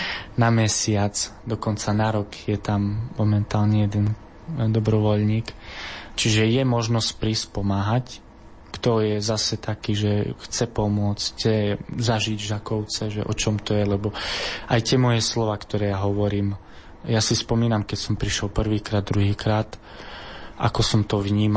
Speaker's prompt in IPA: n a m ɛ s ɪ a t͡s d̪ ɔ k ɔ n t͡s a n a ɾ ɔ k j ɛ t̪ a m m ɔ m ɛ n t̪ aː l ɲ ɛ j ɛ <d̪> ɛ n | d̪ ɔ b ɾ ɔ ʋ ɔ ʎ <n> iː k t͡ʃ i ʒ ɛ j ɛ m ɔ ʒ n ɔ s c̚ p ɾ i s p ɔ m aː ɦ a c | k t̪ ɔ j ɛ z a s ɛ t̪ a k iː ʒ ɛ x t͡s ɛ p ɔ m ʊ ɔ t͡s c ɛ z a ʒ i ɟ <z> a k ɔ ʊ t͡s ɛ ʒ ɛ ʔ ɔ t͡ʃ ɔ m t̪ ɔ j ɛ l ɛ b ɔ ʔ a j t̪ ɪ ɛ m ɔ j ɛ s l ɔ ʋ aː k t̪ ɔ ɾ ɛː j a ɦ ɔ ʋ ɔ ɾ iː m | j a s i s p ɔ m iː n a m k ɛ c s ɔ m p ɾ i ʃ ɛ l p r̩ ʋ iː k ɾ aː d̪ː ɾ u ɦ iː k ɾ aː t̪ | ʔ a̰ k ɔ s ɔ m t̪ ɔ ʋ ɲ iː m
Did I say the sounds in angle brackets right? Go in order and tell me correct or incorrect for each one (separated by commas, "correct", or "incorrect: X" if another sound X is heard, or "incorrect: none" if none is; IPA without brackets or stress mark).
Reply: correct, incorrect: ɲ, incorrect: ʒ